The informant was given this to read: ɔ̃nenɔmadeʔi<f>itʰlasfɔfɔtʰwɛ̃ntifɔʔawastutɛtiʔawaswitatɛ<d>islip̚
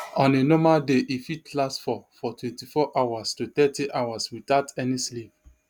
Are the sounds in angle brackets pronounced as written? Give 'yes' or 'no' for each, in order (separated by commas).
yes, no